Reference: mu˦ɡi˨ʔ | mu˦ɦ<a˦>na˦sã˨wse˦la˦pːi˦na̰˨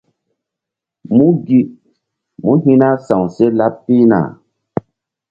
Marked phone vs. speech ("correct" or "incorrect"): incorrect